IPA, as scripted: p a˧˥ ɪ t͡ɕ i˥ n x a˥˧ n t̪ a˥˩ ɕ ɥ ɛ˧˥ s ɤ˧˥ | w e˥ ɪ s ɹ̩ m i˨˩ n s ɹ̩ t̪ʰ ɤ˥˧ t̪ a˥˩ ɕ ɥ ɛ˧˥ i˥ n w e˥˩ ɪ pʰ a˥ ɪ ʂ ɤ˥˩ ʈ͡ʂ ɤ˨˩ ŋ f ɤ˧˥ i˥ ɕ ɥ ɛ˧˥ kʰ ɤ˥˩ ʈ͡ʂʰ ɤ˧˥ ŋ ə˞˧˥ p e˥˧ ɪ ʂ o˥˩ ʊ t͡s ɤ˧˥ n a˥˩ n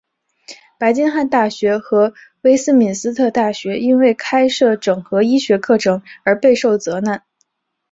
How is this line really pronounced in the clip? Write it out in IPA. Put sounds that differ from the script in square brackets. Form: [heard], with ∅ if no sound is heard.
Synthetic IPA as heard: p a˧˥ ɪ t͡ɕ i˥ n x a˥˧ n t̪ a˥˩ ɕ ɥ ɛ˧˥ [x] ɤ˧˥ | w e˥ ɪ s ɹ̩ m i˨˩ n s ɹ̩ t̪ʰ ɤ˥˧ t̪ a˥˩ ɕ ɥ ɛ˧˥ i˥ n w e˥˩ ɪ [kʰ] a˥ ɪ ʂ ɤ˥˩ ʈ͡ʂ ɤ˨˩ ŋ [x] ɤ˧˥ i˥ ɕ ɥ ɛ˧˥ kʰ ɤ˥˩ ʈ͡ʂʰ ɤ˧˥ ŋ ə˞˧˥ p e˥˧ ɪ ʂ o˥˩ ʊ t͡s ɤ˧˥ n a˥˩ n